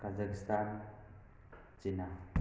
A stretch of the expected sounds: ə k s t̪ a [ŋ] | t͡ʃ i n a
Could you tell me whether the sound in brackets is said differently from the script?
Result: yes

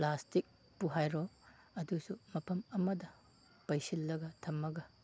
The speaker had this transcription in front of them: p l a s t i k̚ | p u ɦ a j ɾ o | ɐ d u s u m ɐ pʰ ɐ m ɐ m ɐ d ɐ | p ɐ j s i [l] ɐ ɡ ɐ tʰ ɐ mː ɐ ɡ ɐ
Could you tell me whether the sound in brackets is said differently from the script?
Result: yes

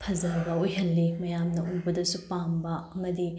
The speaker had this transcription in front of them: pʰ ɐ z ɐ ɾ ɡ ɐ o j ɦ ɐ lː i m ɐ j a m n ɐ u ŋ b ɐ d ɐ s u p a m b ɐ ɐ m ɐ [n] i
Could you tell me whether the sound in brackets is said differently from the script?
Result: yes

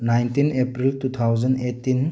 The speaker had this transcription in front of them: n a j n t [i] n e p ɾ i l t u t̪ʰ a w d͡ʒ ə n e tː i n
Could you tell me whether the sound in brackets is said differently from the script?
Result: no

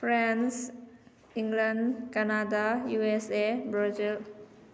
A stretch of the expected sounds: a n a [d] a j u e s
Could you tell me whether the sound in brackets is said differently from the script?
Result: no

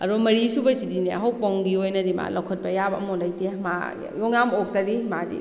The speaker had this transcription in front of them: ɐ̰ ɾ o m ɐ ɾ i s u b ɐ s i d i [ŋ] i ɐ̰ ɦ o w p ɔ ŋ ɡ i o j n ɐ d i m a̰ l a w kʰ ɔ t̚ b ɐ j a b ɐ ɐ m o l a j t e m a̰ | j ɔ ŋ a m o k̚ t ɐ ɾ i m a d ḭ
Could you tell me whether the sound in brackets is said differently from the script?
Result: yes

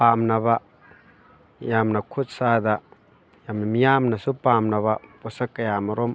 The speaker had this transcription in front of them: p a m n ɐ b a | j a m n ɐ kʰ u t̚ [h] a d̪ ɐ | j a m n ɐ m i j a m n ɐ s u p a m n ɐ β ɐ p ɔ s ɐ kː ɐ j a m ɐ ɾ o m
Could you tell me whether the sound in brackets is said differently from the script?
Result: yes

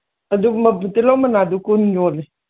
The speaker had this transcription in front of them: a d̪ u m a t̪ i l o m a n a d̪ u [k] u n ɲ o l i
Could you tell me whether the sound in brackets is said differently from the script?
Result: no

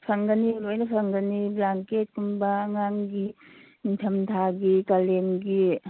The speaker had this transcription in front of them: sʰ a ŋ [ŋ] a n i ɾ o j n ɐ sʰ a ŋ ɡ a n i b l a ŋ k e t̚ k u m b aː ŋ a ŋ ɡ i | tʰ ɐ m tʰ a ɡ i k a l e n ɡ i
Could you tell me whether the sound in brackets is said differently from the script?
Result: yes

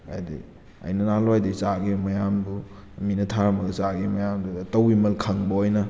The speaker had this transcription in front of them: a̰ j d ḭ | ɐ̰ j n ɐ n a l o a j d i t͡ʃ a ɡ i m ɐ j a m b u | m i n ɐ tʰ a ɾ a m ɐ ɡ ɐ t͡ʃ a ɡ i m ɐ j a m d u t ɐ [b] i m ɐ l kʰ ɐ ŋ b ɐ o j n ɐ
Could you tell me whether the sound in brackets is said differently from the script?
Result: yes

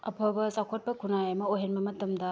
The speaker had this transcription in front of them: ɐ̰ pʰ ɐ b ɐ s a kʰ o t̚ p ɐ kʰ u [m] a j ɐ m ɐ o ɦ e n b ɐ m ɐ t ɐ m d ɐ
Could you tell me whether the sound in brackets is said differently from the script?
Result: yes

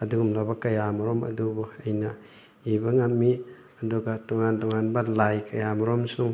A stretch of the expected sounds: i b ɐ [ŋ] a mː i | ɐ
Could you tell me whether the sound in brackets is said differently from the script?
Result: no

